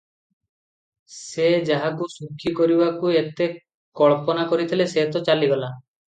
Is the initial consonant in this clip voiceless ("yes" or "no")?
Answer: yes